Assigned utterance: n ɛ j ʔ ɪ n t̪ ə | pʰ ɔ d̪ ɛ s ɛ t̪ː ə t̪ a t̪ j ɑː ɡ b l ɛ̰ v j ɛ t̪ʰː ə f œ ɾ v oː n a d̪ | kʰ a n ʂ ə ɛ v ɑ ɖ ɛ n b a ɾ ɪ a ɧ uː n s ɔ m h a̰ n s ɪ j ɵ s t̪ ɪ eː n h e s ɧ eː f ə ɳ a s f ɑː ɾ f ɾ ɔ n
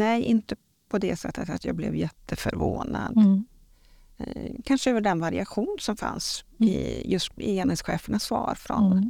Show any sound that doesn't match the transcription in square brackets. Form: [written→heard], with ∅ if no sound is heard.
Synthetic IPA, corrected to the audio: n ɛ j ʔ ɪ n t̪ ə | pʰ ɔ d̪ ɛ s ɛ t̪ː ə t̪ a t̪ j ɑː ɡ b l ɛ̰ v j ɛ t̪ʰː ə f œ ɾ v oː n a d̪ | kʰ a n ʂ ə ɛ v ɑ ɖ ɛ n [b→v] a ɾ ɪ a ɧ uː n s ɔ m [h→f] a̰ n s ɪ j ɵ s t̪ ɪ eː n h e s ɧ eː f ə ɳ a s [f→v] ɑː ɾ f ɾ ɔ n